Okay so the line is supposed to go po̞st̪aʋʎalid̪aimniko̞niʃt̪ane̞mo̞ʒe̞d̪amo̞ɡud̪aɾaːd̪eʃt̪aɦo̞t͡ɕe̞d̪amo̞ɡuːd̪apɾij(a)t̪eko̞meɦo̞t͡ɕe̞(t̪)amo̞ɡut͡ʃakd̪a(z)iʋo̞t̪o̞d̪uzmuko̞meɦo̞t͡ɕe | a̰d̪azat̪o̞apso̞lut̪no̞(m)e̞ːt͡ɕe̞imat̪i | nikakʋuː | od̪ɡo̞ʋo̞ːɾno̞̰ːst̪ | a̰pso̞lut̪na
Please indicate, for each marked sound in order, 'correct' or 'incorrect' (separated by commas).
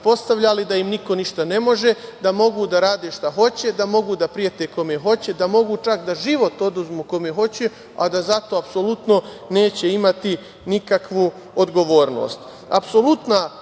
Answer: incorrect, incorrect, incorrect, incorrect